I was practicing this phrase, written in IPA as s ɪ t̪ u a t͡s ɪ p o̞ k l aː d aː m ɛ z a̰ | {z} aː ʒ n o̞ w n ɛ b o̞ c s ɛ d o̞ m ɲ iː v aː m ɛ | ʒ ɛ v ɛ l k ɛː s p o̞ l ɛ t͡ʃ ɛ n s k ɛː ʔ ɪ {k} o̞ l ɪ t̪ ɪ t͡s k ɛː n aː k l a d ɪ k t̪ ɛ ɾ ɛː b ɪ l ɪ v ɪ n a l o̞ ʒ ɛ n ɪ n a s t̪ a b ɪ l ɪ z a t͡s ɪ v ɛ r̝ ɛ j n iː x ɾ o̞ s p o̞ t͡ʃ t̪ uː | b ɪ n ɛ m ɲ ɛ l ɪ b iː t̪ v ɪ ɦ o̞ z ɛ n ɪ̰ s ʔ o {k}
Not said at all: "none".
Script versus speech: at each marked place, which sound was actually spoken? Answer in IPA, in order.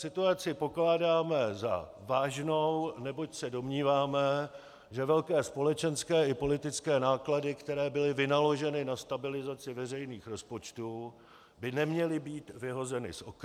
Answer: v, p, k

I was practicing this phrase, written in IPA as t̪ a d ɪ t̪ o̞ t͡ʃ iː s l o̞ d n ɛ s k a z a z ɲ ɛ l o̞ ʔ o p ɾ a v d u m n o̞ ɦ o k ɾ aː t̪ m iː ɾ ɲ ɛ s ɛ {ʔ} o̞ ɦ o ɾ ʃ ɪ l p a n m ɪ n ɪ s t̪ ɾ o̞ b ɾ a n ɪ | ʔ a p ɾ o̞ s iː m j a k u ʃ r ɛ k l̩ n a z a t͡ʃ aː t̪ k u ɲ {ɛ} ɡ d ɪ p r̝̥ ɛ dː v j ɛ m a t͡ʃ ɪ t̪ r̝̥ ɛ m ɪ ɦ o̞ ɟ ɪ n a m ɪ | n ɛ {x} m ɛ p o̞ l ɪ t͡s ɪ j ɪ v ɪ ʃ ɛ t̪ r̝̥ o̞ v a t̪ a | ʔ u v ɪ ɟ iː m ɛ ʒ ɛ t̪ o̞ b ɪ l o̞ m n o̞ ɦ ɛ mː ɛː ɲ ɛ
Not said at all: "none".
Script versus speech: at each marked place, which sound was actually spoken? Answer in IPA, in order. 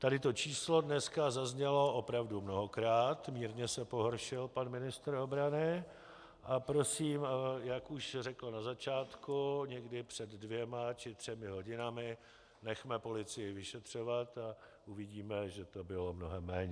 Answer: p, ɛ, x

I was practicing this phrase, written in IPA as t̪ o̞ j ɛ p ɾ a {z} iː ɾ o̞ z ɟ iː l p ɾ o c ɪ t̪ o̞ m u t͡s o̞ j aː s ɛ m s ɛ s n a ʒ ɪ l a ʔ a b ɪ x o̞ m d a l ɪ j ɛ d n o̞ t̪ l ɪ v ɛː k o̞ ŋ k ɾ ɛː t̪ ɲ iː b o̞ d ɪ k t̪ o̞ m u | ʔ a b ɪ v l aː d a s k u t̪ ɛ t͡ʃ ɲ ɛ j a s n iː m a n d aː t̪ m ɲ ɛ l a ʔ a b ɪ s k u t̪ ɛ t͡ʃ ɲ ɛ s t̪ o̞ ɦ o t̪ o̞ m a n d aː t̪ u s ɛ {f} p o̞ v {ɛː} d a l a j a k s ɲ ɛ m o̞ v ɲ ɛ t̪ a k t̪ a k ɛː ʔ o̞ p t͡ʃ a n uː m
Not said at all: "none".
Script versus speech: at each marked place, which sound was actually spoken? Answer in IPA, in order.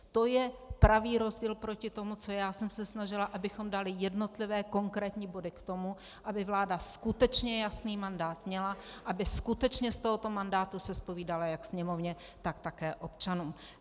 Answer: v, s, iː

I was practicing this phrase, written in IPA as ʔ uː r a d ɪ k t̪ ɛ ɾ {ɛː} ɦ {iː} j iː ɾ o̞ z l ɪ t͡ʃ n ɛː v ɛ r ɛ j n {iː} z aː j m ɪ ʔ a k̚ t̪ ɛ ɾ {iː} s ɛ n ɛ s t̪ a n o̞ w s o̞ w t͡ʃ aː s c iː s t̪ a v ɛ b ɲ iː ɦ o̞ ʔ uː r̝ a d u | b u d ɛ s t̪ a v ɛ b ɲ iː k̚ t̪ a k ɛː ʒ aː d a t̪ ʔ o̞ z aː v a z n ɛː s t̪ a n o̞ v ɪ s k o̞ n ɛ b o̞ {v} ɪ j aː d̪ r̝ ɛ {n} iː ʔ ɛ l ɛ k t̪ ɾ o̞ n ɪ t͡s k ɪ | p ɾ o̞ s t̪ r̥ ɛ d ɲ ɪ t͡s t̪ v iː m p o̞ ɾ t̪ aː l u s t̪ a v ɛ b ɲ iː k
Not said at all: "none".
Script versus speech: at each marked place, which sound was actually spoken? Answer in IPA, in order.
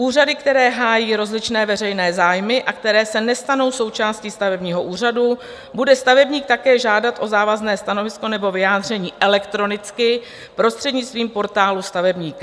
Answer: ɛː, aː, ɛː, ɛː, v, ɲ

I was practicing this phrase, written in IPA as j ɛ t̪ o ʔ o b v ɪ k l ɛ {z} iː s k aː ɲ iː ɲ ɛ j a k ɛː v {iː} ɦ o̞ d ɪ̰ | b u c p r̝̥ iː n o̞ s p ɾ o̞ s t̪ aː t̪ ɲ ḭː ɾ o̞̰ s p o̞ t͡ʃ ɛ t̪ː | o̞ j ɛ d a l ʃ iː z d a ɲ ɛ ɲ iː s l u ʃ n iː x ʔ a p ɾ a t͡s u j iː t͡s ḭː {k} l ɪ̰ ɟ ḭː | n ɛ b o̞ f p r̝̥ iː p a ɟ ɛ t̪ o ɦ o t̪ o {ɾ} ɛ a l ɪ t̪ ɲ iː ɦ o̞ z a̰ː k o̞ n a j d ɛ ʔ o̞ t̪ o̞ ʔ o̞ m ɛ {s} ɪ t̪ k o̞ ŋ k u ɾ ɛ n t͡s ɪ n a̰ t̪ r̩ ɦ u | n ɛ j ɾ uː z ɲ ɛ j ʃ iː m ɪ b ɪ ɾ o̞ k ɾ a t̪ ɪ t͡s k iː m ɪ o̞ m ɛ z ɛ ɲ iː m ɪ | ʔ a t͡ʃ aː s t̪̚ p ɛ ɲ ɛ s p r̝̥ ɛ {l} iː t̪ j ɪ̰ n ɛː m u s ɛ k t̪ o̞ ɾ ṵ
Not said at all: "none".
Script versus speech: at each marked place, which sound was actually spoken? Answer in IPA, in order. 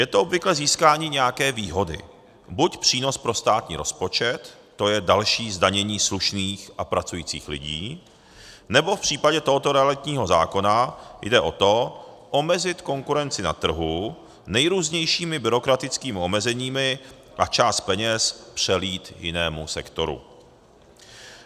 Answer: z, iː, x, ɾ, z, l

